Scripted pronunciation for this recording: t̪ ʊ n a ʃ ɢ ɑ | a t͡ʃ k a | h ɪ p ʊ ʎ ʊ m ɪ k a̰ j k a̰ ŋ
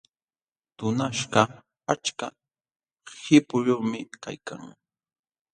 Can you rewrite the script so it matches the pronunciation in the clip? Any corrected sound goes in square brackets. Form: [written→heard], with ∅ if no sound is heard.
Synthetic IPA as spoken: t̪ ʊ n a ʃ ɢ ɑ | a t͡ʃ k a | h ɪ p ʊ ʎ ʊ m ɪ k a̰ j k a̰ ŋ